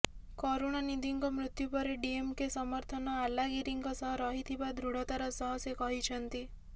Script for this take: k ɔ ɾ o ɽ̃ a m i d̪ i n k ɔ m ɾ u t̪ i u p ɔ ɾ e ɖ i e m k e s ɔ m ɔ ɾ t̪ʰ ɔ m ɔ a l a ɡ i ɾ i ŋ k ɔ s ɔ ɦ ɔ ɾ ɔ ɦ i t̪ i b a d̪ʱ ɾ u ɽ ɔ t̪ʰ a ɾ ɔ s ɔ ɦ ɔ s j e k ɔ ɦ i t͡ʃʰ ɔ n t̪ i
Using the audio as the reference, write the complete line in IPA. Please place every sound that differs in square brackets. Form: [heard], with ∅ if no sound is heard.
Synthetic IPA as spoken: k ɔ ɾ o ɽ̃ a [n] i d̪ i [ŋ] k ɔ m ɾ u t̪ [j] u p ɔ ɾ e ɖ i e m k e s ɔ m ɔ ɾ t̪ʰ ɔ [n] ɔ a l a ɡ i ɾ i ŋ k ɔ s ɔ ɦ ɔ ɾ ɔ ɦ i [t̪ʰ] i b a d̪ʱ ɾ u ɽ ɔ [t̪] a ɾ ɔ s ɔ ɦ ɔ s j e k ɔ ɦ i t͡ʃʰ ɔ n t̪ i